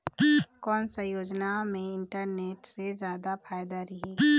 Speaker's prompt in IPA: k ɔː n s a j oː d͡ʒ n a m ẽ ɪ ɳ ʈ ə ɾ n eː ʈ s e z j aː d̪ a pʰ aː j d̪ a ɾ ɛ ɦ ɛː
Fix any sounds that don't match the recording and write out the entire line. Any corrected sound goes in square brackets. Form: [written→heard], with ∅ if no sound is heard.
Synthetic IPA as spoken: k ɔː n s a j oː d͡ʒ n a m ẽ ɪ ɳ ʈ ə ɾ n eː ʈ s e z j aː d̪ a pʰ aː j d̪ a ɾ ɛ ɦ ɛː